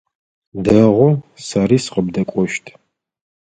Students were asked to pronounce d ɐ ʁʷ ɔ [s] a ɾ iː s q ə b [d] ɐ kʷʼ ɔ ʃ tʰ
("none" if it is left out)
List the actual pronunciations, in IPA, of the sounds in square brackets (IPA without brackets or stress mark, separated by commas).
s, d